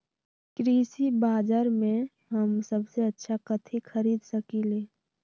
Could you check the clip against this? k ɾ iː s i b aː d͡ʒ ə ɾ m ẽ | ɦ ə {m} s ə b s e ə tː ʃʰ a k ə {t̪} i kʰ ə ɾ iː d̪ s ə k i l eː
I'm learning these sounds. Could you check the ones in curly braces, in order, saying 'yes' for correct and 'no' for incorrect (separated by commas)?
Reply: yes, no